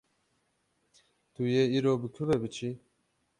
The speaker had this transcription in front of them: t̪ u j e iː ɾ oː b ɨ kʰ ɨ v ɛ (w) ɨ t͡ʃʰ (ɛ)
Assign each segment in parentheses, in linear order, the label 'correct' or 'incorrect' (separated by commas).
incorrect, incorrect